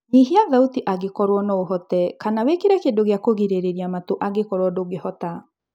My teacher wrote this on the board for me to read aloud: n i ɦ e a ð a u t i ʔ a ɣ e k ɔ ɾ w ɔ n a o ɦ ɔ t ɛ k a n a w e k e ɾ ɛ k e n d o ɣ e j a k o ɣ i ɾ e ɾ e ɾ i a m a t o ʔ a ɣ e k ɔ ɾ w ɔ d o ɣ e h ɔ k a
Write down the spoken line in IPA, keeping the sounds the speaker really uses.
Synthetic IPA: n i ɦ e a ð a u t i ʔ a ɣ e k ɔ ɾ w ɔ n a o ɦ ɔ t ɛ k a n a w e k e ɾ ɛ k e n d o ɣ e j a k o ɣ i ɾ e ɾ e ɾ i a m a t o ʔ a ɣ e k ɔ ɾ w ɔ d o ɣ e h ɔ t a